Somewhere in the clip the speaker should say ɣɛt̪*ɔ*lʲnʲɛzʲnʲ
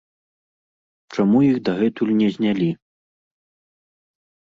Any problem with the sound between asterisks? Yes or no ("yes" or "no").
yes